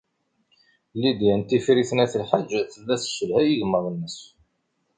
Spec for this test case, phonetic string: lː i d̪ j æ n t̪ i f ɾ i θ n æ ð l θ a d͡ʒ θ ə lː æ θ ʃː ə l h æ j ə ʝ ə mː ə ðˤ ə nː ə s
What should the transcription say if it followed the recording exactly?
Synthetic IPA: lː i d̪ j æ n t̪ i f ɾ i θ n æ θ l ħ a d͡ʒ θ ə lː æ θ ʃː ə l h æ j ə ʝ ə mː ə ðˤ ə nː ə s